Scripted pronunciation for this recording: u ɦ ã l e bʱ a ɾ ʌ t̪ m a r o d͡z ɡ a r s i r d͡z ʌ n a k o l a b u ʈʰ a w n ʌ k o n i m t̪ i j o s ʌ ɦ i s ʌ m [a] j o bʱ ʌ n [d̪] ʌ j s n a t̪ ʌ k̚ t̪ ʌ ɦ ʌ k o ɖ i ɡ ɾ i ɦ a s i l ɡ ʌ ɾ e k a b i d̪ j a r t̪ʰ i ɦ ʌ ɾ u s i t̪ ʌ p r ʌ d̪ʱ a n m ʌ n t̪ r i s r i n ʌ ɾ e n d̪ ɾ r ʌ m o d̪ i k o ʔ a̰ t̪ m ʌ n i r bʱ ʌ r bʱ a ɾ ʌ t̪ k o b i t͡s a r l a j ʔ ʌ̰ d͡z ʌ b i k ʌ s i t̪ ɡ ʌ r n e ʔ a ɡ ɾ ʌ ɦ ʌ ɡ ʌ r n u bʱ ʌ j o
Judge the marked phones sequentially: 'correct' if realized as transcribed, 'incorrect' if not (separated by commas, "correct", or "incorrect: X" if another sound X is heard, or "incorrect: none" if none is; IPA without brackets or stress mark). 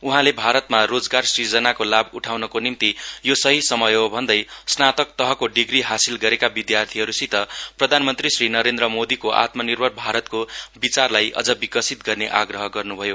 incorrect: ʌ, correct